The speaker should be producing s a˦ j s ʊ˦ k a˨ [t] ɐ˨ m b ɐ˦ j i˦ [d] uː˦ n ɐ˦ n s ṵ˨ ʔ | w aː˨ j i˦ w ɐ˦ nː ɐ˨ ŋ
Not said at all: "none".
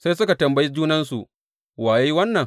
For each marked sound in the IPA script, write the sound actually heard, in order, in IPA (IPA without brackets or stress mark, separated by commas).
t, d͡ʒ